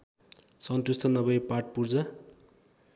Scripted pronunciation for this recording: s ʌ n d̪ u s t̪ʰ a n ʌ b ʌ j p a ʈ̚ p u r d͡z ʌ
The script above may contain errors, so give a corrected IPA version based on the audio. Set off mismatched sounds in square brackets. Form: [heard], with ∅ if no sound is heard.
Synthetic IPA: s ʌ n [t̪] u s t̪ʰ [ʌ] n ʌ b ʌ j p a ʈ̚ p u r d͡z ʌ